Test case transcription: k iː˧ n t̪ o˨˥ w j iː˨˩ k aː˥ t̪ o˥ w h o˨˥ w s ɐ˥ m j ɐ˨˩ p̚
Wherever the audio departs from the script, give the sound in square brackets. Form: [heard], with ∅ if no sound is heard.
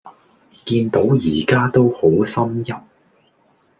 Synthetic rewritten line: k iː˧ n t̪ o˨˥ w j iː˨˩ k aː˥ t̪ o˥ w h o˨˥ w s ɐ˥ m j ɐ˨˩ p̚